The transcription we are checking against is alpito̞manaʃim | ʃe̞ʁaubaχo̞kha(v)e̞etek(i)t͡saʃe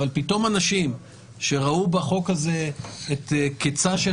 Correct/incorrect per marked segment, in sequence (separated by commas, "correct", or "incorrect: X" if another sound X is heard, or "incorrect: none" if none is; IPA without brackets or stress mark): incorrect: z, incorrect: e